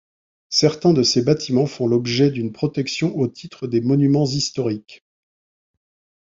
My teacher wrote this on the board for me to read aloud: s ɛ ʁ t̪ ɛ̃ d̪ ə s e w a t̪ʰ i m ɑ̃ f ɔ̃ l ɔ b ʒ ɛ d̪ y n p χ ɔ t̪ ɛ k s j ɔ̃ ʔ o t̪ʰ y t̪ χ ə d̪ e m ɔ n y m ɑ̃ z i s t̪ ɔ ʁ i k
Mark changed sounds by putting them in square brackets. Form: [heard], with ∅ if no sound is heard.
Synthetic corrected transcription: s ɛ ʁ t̪ ɛ̃ d̪ ə s e [b] a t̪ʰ i m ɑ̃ f ɔ̃ l ɔ b ʒ ɛ d̪ y n p χ ɔ t̪ ɛ k s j ɔ̃ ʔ o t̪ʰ [i] t̪ χ ə d̪ e m ɔ n y m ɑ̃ z i s t̪ ɔ ʁ i k